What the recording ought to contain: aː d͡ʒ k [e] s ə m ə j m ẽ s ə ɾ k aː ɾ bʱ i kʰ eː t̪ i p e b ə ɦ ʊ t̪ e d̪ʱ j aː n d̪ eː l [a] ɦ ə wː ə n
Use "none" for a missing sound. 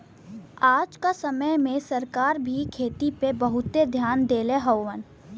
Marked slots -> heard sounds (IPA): a, e

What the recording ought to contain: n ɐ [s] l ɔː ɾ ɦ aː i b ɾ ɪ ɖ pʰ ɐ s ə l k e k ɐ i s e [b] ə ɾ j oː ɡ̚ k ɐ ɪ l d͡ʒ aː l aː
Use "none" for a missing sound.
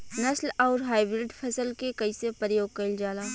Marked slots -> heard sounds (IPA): s, p

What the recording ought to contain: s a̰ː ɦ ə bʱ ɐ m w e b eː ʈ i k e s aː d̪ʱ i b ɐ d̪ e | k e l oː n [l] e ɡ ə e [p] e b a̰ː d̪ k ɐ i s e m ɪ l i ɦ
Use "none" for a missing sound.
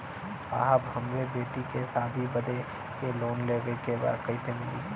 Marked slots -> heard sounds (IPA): l, k

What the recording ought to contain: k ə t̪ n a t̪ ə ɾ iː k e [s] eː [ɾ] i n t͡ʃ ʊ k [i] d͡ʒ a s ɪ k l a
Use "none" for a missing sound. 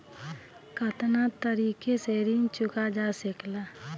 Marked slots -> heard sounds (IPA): s, ɾ, a

